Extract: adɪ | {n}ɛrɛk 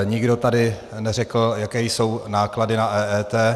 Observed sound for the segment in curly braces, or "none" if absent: n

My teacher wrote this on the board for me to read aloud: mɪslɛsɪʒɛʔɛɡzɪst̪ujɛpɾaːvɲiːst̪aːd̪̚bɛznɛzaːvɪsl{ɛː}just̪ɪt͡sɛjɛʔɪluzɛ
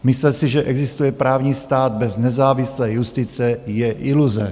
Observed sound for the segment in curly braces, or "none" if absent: ɛː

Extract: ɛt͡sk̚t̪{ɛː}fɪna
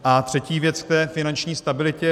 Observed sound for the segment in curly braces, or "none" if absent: ɛː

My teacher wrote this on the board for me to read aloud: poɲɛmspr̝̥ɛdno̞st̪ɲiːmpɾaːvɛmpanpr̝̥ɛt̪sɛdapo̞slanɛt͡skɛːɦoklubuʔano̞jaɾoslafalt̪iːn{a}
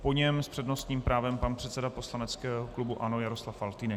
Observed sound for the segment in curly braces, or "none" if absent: ɛ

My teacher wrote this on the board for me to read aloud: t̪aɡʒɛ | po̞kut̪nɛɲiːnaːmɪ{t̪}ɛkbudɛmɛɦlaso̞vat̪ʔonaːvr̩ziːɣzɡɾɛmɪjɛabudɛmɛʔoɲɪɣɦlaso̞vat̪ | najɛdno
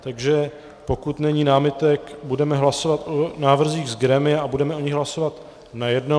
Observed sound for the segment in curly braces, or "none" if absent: t̪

